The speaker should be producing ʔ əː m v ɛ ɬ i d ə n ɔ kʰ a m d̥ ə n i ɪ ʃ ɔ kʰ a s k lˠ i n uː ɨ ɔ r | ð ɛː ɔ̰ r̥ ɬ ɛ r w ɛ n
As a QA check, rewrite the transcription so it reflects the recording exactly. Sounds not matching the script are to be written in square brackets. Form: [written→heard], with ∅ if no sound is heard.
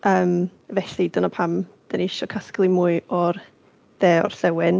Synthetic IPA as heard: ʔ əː m v ɛ ɬ i d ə n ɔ [kʰ→pʰ] a m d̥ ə n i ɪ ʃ ɔ kʰ a s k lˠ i [n→m] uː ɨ ɔ r | ð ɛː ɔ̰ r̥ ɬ ɛ [r→∅] w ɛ n